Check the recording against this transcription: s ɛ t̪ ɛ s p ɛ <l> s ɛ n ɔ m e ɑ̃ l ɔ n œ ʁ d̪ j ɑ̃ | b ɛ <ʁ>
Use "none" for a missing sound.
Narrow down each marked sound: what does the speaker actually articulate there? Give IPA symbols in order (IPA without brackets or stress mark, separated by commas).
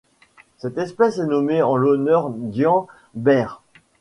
none, ʁ